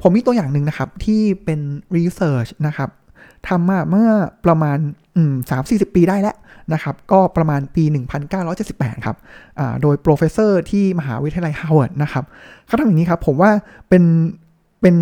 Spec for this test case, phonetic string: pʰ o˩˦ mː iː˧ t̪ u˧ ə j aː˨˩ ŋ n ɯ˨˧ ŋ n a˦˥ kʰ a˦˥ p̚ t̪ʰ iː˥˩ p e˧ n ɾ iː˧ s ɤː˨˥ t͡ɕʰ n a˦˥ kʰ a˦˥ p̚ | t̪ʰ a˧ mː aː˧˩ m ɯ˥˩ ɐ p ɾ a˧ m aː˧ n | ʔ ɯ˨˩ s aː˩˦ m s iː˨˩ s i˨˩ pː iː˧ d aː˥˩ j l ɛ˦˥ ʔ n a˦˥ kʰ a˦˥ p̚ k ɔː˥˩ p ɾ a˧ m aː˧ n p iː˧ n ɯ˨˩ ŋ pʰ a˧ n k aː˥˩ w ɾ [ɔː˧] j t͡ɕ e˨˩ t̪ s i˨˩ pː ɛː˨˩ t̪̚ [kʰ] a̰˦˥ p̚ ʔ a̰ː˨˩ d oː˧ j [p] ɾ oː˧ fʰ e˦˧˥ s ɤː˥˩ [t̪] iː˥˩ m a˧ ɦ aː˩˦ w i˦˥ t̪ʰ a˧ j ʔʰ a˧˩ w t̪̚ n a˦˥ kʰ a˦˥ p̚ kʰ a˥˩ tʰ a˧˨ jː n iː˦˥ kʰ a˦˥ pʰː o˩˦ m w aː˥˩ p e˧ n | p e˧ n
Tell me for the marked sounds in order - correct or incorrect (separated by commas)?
incorrect, correct, correct, incorrect